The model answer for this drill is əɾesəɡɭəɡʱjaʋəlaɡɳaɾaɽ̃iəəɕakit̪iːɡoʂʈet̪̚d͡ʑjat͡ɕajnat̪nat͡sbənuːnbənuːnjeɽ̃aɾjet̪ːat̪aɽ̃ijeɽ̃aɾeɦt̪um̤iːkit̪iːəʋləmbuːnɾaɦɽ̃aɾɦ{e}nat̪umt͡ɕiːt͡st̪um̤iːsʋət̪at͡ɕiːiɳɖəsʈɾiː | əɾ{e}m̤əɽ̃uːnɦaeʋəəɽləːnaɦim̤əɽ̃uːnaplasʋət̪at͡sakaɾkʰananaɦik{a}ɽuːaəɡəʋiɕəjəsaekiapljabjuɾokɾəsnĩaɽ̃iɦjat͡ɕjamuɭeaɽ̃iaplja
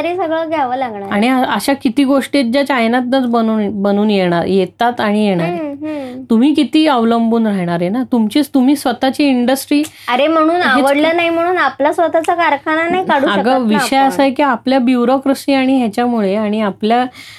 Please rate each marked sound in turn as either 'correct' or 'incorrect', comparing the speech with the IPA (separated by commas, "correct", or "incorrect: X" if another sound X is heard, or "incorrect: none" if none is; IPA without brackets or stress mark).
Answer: correct, correct, correct